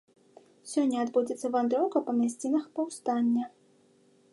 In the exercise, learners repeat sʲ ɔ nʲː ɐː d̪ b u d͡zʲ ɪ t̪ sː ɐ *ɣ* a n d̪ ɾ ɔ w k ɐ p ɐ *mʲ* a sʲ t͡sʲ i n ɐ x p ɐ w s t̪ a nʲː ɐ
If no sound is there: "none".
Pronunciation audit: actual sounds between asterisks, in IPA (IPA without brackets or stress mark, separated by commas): v, mʲ